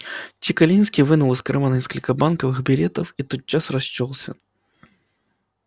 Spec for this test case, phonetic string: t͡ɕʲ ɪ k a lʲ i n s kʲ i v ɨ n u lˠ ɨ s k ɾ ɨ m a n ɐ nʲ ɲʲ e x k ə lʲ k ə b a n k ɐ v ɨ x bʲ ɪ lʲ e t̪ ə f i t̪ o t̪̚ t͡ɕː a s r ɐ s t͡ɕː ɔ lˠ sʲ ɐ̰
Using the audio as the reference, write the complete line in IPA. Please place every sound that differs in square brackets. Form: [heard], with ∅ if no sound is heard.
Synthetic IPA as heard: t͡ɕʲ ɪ k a lʲ i n s kʲ i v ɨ n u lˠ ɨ s k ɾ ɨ m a n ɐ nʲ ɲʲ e [s] k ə lʲ k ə b a n k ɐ v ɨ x bʲ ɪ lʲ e t̪ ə f i t̪ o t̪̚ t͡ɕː a s r ɐ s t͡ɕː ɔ lˠ sʲ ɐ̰